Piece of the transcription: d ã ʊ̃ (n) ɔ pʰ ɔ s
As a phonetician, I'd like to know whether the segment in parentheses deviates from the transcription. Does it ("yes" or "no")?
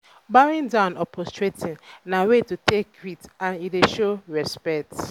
no